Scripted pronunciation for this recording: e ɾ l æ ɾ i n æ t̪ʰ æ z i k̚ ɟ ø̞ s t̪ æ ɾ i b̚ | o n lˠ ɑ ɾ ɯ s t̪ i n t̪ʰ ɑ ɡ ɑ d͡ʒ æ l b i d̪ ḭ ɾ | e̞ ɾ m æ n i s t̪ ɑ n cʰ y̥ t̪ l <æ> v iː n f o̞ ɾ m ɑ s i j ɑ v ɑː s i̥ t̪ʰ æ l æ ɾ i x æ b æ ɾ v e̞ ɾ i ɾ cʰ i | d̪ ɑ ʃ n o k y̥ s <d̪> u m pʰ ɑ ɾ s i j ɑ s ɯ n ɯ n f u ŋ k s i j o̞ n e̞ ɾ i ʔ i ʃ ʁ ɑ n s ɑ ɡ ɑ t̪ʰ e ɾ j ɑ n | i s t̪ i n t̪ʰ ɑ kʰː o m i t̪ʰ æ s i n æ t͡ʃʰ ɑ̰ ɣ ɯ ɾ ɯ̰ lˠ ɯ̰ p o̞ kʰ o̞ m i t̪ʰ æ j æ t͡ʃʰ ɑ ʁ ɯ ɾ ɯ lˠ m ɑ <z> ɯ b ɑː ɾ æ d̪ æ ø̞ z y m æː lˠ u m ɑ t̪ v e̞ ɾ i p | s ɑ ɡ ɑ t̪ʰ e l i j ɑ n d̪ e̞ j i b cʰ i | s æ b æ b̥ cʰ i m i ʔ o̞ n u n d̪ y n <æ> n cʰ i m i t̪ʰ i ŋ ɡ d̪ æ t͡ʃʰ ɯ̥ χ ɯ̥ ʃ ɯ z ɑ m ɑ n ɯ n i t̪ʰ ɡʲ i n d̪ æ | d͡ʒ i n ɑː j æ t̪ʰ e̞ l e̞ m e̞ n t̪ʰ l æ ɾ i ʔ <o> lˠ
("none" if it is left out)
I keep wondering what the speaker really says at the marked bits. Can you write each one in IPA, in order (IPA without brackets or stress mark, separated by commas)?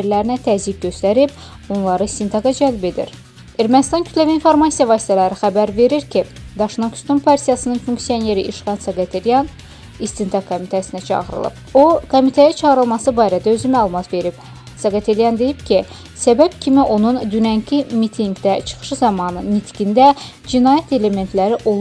æ, t̪, s, æ, o